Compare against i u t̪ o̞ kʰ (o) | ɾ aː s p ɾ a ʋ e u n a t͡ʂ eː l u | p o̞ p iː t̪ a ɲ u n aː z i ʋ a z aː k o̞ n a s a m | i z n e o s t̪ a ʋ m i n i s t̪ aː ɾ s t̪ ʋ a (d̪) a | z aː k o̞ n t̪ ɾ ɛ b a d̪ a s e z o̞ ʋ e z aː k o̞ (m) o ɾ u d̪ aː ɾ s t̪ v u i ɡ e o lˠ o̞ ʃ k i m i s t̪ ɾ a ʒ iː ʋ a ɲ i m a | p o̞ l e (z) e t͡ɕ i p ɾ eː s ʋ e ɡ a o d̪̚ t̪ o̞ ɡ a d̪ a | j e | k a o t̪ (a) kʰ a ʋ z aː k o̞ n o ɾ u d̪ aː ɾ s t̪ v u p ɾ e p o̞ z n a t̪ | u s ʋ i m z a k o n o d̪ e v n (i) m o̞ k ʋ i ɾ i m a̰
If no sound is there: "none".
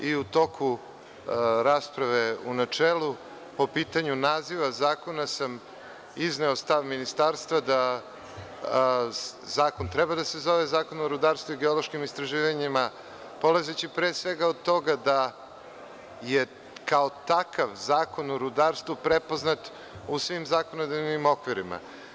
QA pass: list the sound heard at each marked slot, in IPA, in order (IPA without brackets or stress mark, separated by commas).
u, d̪, n, z, a, i